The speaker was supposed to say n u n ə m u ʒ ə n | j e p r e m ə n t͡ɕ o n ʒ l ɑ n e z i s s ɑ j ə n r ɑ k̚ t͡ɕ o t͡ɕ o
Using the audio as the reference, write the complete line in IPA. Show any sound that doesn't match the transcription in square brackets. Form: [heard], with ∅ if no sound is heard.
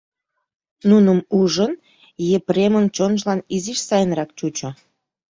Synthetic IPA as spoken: n u n ə m u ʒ ə n | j e p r e m ə n t͡ɕ o n ʒ l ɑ n [i] z i [ʃ] s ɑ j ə n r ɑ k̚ t͡ɕ [u] t͡ɕ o